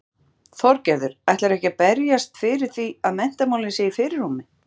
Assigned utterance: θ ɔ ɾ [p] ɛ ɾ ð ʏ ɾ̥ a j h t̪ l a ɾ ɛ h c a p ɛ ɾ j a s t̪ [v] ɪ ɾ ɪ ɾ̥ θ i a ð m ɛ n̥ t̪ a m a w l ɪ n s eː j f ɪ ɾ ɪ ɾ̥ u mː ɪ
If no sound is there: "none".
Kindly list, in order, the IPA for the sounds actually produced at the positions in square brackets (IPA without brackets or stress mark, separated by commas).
c, f